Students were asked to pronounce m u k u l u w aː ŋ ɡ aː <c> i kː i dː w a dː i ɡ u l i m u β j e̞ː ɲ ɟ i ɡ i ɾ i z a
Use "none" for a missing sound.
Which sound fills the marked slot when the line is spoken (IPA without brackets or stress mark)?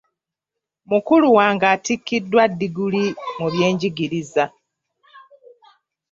t